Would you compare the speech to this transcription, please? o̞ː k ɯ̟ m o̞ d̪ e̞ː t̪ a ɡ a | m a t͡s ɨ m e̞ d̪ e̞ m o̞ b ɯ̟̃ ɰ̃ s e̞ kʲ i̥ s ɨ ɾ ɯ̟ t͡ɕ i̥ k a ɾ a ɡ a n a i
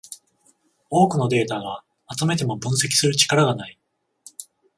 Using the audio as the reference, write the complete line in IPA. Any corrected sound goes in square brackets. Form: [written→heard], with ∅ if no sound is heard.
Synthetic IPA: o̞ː k ɯ̟ [m→n] o̞ d̪ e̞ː t̪ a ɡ a | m a t͡s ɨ m e̞ [d̪→t̪] e̞ m o̞ b ɯ̟̃ ɰ̃ s e̞ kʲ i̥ s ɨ ɾ ɯ̟ t͡ɕ i̥ k a ɾ a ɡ a n a i